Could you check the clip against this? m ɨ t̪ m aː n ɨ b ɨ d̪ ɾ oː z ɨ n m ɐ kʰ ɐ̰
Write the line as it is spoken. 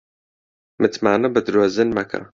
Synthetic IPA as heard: m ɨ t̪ m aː n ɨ b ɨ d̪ ɾ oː z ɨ n m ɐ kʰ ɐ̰